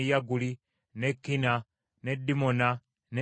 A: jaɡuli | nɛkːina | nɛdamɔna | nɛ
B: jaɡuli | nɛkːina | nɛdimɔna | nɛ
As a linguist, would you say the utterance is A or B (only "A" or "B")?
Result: B